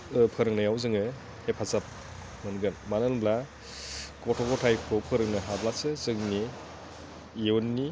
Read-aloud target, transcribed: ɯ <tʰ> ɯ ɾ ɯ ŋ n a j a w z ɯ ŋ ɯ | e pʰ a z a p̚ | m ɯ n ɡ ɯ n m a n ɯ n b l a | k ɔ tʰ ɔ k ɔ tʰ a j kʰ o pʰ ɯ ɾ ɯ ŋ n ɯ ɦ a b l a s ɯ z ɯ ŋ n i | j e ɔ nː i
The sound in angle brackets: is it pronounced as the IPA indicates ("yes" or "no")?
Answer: no